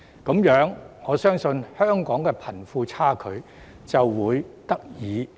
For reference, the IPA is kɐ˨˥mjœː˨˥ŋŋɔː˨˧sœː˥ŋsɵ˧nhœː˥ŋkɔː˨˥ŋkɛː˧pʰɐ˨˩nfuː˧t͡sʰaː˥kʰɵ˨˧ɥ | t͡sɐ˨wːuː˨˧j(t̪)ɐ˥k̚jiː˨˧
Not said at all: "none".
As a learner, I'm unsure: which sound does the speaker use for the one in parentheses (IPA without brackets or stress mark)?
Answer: t̪